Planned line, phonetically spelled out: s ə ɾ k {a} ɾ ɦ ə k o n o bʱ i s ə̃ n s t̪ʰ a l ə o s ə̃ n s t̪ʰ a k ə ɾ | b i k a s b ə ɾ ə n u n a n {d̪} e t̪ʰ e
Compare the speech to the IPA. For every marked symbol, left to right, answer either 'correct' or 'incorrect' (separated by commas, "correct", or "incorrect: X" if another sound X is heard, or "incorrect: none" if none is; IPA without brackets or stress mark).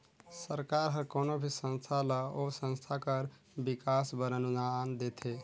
correct, correct